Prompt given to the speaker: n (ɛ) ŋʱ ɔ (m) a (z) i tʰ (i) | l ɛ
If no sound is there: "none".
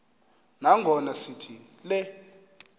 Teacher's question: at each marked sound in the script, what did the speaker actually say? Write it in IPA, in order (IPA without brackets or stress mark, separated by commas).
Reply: a, n, s, i